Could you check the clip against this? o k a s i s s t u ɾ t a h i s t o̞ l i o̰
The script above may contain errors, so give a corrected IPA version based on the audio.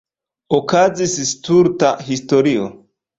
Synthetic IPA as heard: o k a z i s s t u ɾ t a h i s t o̞ ɾ i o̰